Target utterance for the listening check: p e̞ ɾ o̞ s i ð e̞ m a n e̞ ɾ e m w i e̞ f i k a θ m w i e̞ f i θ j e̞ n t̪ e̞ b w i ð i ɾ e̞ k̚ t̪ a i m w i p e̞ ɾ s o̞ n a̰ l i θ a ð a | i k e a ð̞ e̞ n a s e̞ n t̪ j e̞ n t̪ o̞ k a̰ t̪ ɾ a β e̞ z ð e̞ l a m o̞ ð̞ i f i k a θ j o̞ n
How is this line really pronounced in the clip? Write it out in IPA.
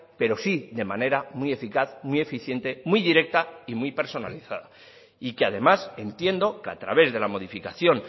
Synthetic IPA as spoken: p e̞ ɾ o̞ s i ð e̞ m a n e̞ ɾ a m w i e̞ f i k a θ m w i e̞ f i θ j e̞ n t̪ e̞ m w i ð i ɾ e̞ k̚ t̪ a i m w i p e̞ ɾ s o̞ n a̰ l i θ a ð a | i k e a ð̞ e̞ m a s e̞ n t̪ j e̞ n d̪ o̞ k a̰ t̪ ɾ a β e̞ z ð e̞ l a m o̞ ð̞ i f i k a θ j o̞ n